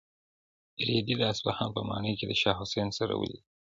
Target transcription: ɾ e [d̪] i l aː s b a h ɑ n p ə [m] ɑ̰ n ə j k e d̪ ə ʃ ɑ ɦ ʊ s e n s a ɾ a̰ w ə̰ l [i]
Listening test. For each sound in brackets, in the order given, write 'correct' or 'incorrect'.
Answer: correct, correct, correct

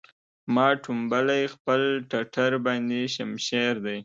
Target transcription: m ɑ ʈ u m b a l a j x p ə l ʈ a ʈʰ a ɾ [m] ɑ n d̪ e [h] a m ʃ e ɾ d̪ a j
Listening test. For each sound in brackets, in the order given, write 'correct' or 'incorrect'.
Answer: incorrect: b, incorrect: ʃ

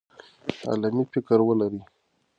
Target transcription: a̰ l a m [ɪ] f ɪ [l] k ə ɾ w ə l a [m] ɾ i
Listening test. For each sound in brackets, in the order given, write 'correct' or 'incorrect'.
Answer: incorrect: i, incorrect: none, incorrect: none

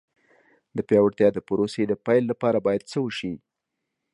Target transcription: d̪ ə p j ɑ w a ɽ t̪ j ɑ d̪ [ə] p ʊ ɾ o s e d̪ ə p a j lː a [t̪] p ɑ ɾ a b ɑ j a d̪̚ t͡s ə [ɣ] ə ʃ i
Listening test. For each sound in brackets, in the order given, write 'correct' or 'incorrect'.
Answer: correct, incorrect: none, incorrect: w

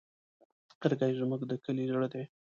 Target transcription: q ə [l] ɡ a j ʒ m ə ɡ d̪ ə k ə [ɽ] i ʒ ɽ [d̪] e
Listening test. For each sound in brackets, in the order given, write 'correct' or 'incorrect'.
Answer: incorrect: ɾ, incorrect: l, correct

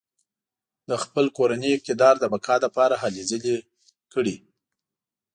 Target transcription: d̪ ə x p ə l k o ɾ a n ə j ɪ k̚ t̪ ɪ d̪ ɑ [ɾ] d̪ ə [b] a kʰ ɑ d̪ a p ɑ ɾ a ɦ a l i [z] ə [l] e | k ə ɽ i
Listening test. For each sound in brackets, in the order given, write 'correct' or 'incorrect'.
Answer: correct, correct, correct, correct

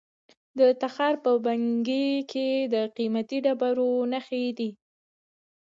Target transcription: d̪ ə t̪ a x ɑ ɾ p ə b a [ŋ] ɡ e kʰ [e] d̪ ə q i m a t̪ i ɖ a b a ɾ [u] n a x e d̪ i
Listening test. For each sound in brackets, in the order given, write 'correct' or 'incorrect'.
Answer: correct, correct, incorrect: o

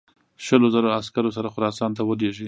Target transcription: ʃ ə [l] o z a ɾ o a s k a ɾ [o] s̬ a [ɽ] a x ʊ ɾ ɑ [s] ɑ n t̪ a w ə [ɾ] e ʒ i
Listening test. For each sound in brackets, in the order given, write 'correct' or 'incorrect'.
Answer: correct, correct, incorrect: ɾ, correct, incorrect: l

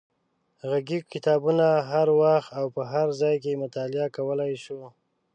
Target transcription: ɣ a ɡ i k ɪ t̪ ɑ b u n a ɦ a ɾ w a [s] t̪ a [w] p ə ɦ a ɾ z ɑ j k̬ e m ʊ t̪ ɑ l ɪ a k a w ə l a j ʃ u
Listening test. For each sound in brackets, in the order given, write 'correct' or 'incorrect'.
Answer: incorrect: x, correct

